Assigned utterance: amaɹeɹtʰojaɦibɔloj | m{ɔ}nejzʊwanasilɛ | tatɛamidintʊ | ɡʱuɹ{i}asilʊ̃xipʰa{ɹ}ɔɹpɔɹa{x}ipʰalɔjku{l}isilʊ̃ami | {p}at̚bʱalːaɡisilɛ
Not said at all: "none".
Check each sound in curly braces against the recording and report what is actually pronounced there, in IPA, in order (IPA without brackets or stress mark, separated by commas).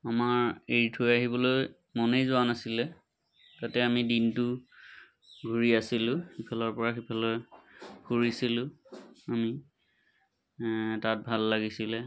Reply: ɔ, i, l, x, ɹ, t